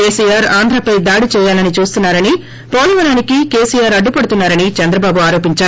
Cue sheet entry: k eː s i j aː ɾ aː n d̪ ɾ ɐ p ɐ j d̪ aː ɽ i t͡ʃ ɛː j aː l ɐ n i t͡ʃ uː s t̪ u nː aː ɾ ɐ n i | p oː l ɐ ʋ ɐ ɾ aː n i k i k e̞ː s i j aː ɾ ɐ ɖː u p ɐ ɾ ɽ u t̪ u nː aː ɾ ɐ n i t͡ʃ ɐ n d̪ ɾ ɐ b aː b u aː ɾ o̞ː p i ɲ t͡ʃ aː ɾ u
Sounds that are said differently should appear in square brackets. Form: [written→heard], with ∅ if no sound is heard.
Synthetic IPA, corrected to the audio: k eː s i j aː ɾ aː n d̪ ɾ ɐ p ɐ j d̪ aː ɽ i t͡ʃ ɛː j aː l ɐ n i t͡ʃ uː s t̪ u nː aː ɾ ɐ n i | p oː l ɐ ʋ ɐ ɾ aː n i k i k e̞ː s i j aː ɾ ɐ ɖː u p ɐ [ɾ→∅] ɽ u t̪ u nː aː ɾ ɐ n i t͡ʃ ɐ n d̪ ɾ ɐ b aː b u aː ɾ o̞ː p i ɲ t͡ʃ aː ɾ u